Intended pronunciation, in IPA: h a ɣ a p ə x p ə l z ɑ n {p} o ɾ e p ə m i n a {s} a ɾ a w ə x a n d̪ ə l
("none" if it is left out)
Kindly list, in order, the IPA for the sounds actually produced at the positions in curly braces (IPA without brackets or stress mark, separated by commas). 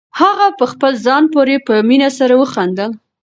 p, s